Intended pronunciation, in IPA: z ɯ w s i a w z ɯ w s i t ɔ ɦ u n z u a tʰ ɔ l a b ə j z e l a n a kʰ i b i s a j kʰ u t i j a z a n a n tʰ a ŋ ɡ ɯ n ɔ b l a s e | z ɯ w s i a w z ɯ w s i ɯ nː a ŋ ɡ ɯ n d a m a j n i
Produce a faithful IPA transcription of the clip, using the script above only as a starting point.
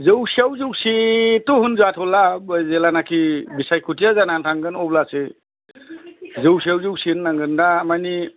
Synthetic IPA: z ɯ w s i a w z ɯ w s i t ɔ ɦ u n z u a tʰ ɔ l a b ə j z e l a n a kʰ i b i s a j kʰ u t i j a z a n a n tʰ a ŋ ɡ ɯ n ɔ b l a s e | z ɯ w s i a w z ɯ w s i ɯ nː a ŋ ɡ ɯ n d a m a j n i